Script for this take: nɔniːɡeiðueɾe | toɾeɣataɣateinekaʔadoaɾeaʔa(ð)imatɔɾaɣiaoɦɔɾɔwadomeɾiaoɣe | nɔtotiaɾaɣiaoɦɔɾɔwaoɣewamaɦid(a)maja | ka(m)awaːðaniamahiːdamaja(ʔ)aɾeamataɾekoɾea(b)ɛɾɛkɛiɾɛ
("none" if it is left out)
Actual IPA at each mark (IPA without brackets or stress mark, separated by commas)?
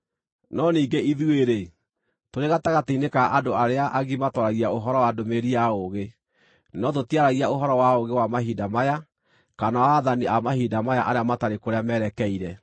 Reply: ɣ, a, n, ʔ, m